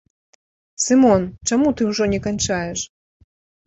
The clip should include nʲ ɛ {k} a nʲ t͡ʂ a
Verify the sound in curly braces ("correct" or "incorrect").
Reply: correct